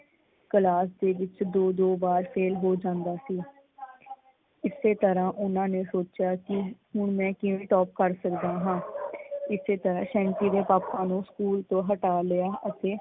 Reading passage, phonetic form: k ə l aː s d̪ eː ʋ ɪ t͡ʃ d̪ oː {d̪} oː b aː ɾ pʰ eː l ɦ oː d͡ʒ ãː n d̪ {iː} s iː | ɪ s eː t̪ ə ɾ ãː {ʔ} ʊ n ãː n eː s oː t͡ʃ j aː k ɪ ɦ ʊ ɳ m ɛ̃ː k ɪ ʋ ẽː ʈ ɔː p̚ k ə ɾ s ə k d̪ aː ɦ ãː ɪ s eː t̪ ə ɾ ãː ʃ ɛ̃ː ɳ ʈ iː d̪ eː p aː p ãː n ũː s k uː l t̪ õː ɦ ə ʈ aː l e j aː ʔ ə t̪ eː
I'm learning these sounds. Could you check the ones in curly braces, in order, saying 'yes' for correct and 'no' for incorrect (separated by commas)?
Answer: yes, no, yes